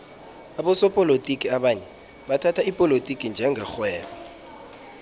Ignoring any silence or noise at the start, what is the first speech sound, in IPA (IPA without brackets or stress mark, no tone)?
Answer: a